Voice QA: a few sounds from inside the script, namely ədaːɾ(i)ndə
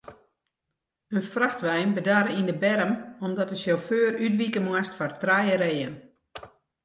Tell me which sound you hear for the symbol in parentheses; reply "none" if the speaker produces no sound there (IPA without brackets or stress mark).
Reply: i